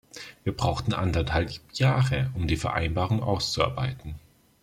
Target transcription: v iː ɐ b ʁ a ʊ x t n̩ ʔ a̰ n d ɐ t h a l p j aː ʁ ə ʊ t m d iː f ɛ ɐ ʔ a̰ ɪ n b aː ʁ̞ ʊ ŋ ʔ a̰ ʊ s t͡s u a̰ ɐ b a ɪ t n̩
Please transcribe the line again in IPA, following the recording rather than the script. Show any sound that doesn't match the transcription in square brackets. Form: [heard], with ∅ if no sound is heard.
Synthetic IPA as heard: v iː ɐ b ʁ a ʊ x t n̩ ʔ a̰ n d ɐ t h a l p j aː ʁ ə ʊ [∅] m d iː f ɛ ɐ ʔ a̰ ɪ n b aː ʁ̞ ʊ ŋ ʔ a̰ ʊ s t͡s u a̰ ɐ b a ɪ t n̩